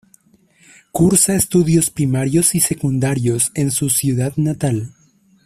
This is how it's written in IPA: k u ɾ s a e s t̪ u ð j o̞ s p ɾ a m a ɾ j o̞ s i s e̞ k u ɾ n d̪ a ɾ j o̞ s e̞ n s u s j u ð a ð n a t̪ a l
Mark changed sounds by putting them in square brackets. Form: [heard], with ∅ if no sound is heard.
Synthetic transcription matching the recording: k u ɾ s a e s t̪ u ð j o̞ s p ɾ [i] m a ɾ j o̞ s i s e̞ k u [∅] n d̪ a ɾ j o̞ s e̞ n s u s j u ð a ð n a t̪ a l